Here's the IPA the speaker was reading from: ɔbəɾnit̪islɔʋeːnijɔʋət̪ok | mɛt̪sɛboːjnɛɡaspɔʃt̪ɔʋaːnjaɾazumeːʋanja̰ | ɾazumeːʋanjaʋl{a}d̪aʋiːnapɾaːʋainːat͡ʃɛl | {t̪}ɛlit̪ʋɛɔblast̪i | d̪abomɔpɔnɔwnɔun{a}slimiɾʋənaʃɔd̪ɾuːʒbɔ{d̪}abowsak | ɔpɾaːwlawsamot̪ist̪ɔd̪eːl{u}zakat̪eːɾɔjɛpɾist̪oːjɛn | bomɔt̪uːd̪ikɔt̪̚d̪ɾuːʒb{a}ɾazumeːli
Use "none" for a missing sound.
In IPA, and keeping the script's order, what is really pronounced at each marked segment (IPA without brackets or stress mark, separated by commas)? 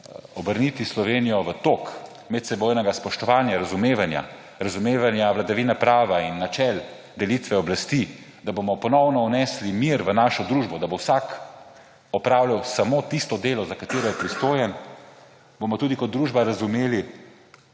a, d̪, ɛ, d̪, ɔ, a